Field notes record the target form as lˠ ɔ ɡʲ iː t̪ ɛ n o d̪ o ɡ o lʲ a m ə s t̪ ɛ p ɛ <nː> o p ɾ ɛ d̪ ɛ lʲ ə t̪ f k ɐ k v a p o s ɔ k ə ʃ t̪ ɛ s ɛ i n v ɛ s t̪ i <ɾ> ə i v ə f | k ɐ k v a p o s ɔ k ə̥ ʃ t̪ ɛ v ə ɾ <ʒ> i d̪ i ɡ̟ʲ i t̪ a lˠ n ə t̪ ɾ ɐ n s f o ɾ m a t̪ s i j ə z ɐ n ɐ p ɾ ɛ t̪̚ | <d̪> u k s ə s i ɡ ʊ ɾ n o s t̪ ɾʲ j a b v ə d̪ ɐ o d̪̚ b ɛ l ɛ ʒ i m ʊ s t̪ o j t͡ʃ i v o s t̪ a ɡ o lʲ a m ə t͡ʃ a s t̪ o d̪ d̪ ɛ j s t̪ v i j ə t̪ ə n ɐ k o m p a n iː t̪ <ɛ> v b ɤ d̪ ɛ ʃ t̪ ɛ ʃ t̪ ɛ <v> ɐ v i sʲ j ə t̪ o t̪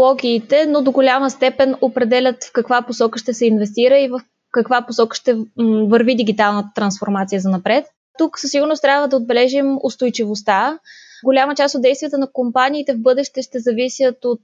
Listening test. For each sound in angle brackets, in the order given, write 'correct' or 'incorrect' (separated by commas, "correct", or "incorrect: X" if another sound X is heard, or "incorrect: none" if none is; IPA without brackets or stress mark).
incorrect: n, correct, incorrect: v, incorrect: t̪, correct, incorrect: z